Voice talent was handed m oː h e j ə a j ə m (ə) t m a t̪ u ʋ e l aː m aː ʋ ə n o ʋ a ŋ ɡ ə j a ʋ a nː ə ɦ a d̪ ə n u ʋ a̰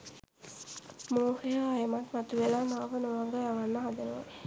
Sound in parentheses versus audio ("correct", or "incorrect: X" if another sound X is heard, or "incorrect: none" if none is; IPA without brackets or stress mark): incorrect: a